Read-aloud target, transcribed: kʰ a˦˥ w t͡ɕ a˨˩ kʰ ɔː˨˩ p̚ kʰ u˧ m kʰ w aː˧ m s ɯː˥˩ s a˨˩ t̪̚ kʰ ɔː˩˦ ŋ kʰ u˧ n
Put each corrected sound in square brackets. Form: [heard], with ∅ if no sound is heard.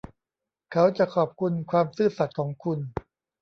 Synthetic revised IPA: kʰ a˦˥ w t͡ɕ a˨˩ kʰ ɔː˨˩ p̚ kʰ u˧ [n] kʰ w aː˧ m s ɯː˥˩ s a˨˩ t̪̚ kʰ ɔː˩˦ ŋ kʰ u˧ n